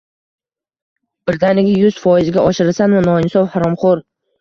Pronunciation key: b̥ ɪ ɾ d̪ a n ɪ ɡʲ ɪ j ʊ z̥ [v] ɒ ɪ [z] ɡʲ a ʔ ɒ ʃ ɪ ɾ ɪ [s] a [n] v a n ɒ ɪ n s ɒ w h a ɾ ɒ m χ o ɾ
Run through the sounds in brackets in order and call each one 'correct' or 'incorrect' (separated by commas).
incorrect, correct, correct, correct